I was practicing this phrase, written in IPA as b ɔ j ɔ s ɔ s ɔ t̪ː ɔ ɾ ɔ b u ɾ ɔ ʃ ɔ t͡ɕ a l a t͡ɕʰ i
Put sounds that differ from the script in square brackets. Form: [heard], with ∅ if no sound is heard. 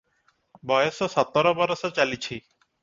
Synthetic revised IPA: b ɔ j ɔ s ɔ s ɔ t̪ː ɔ ɾ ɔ b [ɔ] ɾ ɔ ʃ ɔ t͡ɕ a l [i] t͡ɕʰ i